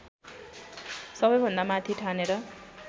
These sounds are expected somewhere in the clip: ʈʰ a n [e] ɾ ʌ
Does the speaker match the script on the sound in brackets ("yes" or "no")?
yes